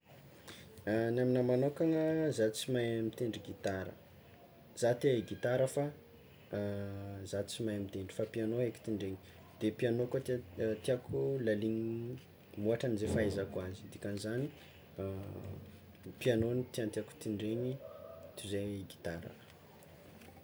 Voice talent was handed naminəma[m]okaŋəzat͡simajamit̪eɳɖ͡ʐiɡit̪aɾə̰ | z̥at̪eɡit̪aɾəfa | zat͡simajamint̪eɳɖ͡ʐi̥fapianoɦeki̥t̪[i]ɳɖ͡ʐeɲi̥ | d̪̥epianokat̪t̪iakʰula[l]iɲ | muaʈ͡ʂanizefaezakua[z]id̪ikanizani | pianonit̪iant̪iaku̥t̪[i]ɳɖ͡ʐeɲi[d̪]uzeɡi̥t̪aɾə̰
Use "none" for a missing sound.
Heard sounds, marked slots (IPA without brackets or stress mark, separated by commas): n, i, l, z, i, t̪